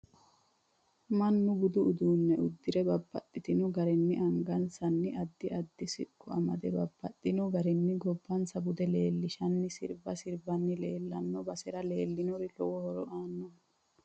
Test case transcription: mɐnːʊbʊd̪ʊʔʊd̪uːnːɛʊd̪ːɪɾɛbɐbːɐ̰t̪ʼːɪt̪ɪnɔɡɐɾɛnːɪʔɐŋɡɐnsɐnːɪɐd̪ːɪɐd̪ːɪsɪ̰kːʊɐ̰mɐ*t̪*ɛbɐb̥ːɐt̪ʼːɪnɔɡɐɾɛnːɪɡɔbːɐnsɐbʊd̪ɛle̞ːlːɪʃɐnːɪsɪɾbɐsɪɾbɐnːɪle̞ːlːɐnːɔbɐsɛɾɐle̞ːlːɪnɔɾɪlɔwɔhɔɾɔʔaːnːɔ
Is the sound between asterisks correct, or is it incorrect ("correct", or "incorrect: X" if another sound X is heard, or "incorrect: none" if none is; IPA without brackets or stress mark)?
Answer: incorrect: d̪